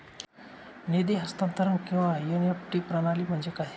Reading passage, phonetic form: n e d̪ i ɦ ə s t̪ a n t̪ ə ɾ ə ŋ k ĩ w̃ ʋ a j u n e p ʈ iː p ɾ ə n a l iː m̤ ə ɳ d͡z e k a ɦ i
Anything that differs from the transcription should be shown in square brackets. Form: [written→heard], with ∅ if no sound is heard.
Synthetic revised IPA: n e d̪ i ɦ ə s t̪ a n t̪ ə ɾ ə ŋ k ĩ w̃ ʋ a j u n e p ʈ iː p ɾ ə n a l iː m̤ ə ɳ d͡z e k a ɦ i